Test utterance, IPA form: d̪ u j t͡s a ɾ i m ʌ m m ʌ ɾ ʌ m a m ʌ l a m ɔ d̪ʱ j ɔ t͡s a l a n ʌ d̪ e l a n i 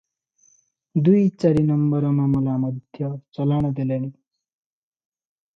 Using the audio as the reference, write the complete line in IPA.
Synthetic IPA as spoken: d̪ u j t͡s a ɾ i n ʌ m b ʌ ɾ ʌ m a m ʌ l a m ʌ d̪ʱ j ʌ t͡s ʌ l a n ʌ d̪ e l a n i